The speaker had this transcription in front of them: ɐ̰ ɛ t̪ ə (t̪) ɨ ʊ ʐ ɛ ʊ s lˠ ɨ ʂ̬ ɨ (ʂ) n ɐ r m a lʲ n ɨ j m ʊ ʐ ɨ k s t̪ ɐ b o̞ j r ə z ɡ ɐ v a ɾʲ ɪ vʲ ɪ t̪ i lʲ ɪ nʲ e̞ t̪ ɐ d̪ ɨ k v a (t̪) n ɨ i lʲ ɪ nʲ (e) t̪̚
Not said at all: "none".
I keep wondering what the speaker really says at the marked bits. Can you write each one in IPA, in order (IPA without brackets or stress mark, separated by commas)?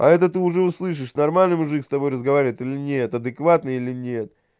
t̪, ʂ, t̪, e